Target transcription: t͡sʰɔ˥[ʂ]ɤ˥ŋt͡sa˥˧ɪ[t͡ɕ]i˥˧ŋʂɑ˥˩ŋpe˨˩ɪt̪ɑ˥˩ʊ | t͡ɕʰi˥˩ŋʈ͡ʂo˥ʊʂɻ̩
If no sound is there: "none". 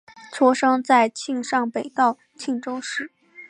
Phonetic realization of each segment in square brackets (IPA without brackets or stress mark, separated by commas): ʂ, t͡ɕʰ